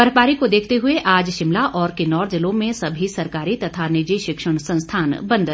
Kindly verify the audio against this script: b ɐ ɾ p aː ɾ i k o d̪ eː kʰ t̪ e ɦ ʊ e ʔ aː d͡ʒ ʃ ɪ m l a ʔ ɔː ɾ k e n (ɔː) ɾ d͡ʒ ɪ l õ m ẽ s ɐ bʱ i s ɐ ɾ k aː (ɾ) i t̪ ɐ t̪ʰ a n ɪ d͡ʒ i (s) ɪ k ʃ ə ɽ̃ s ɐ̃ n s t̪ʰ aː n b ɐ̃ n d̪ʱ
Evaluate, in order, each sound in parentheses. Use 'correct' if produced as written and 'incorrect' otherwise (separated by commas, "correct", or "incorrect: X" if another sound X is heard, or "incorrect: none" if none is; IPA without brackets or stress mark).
correct, correct, incorrect: ʃ